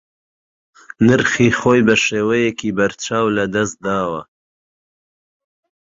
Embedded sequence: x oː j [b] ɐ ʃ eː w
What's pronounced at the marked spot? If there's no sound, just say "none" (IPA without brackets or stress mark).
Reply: b